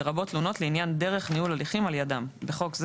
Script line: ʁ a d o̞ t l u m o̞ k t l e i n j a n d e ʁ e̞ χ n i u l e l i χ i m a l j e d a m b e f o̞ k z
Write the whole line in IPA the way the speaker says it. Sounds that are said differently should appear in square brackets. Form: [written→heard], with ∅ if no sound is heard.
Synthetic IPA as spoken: ʁ a [d→b] o̞ t l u [m→n] o̞ [k→∅] t l e i n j a n d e ʁ e̞ χ n i u l [e→a] l i χ i m a l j [e→a] d a m b e [f→χ] o̞ k z